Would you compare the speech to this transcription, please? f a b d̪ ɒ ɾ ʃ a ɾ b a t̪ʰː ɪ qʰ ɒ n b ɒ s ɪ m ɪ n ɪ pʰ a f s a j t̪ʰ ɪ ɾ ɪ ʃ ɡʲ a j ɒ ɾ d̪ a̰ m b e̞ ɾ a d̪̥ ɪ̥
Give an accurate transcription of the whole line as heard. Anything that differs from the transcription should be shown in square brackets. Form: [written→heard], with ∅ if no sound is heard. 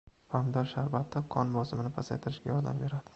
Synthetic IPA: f a [b→m] d̪ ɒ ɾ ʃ a ɾ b a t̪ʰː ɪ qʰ ɒ n b ɒ s ɪ m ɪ n ɪ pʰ a [f→∅] s a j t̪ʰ ɪ ɾ ɪ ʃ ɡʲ a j ɒ ɾ d̪ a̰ m b e̞ ɾ a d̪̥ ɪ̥